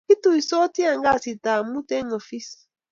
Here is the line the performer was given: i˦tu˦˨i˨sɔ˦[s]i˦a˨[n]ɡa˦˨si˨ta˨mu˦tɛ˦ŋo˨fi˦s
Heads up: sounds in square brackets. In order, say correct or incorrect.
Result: incorrect: t, incorrect: ŋ

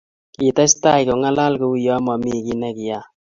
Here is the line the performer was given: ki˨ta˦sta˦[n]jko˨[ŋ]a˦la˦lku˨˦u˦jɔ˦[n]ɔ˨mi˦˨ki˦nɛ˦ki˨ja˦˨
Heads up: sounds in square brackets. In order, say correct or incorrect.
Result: incorrect: none, correct, incorrect: m

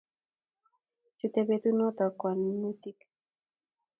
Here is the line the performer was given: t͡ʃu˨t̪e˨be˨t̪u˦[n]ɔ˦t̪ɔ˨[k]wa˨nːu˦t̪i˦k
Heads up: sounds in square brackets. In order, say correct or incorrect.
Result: correct, correct

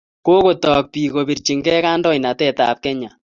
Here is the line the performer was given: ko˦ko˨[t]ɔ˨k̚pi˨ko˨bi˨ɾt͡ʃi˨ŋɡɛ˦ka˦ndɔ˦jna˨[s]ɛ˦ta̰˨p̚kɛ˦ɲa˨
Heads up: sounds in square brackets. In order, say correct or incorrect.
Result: correct, incorrect: t

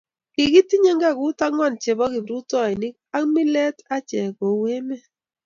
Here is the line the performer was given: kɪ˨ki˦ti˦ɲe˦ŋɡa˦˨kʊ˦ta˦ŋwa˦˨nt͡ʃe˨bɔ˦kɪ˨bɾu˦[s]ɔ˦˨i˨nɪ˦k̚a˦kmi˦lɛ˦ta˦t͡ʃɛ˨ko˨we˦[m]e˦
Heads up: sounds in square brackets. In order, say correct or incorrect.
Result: incorrect: t, correct

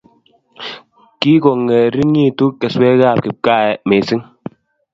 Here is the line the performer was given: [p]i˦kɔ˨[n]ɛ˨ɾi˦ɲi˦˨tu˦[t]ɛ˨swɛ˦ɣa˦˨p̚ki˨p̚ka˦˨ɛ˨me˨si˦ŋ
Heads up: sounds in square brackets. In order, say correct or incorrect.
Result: incorrect: k, incorrect: ŋ, incorrect: k

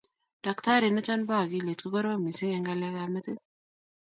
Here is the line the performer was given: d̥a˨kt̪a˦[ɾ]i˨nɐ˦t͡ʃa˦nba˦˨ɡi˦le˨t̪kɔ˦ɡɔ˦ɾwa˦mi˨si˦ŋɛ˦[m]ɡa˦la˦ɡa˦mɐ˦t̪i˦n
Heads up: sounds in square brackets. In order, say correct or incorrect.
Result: correct, incorrect: ŋ

